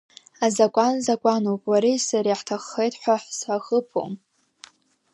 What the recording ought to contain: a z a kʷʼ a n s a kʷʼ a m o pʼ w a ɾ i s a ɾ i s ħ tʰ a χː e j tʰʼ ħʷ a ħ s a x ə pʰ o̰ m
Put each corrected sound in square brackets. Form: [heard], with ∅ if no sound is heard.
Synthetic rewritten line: a z a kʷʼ a n [z] a kʷʼ a [n] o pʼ w a ɾ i s a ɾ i [∅] ħ tʰ a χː e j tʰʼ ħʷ a ħ s a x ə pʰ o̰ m